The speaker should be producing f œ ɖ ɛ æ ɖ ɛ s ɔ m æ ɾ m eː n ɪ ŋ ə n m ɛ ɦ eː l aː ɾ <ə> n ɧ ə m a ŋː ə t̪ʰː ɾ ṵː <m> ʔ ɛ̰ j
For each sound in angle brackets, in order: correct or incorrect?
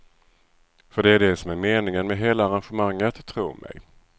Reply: incorrect: a, correct

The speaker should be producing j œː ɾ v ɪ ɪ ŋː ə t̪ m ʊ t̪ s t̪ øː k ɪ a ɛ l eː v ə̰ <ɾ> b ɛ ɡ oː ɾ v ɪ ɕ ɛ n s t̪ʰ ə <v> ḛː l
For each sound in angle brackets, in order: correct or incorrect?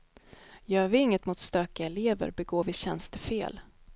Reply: correct, incorrect: f

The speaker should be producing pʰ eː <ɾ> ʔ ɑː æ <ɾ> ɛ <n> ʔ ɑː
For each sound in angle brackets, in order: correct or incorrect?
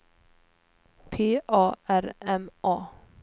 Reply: incorrect: none, correct, incorrect: m

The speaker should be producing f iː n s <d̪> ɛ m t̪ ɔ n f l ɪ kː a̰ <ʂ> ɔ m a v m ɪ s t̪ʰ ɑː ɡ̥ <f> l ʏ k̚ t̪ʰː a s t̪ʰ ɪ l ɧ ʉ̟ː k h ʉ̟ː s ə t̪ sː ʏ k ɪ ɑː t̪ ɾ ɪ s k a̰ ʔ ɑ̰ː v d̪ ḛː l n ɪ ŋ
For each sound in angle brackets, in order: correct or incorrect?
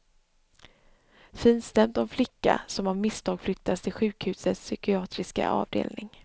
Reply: incorrect: t̪, incorrect: s, correct

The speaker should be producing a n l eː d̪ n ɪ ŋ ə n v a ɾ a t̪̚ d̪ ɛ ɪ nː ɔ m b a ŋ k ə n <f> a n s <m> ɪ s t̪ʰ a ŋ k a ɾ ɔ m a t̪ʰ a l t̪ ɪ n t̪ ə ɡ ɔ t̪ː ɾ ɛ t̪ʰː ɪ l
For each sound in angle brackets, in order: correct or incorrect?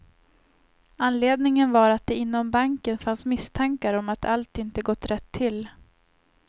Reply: correct, correct

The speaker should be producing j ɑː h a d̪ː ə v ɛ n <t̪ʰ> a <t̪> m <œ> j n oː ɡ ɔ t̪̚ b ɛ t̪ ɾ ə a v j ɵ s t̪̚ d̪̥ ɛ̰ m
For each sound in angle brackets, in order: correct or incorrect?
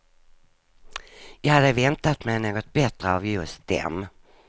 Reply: incorrect: t̪, correct, incorrect: ɛ

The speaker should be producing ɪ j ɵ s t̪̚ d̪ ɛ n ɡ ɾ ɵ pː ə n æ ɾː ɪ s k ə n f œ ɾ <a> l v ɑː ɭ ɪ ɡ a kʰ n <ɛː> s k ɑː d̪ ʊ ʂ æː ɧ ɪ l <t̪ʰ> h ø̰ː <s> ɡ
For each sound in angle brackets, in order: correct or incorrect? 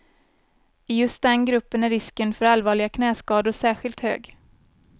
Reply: correct, correct, incorrect: t̪, incorrect: none

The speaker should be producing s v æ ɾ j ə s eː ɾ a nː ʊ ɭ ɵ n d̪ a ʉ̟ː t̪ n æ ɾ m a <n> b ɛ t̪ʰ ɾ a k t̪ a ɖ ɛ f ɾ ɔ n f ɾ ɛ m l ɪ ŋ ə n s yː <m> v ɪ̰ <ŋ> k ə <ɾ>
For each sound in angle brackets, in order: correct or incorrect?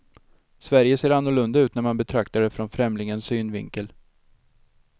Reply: correct, incorrect: n, correct, incorrect: l

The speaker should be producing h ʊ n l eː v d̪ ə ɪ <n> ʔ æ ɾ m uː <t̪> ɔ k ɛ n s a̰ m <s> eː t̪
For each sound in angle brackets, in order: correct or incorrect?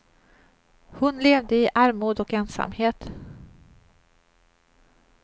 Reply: incorrect: none, incorrect: d̪, incorrect: h

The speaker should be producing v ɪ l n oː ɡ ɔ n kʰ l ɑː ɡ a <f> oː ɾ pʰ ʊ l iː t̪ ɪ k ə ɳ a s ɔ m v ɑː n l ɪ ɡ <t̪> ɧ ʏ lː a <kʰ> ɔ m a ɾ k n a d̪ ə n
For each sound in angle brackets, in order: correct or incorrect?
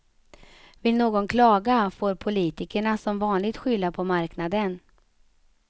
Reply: correct, correct, incorrect: pʰ

